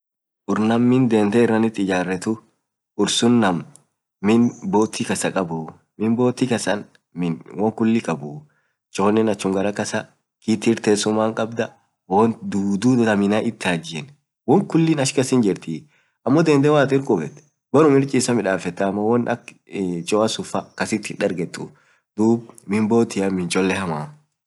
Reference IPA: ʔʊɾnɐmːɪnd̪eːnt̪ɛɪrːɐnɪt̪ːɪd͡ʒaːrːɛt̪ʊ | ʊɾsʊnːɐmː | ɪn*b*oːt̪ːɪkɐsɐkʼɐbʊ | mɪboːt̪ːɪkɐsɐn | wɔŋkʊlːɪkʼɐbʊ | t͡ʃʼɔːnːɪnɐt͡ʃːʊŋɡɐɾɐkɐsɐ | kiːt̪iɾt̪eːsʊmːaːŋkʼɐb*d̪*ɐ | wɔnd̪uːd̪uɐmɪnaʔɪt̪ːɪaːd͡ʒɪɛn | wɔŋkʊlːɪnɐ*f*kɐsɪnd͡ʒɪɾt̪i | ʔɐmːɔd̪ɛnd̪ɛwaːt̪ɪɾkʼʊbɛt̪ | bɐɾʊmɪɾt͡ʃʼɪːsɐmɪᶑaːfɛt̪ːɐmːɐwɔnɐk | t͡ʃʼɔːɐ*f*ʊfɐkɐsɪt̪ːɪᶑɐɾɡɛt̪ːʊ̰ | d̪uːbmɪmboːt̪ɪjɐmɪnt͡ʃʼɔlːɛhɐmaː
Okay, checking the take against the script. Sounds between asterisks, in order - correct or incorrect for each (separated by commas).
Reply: correct, correct, incorrect, incorrect